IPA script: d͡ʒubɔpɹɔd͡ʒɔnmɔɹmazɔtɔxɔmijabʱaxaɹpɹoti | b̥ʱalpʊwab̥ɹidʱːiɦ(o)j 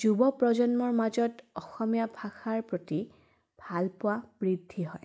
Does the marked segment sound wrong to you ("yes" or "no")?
yes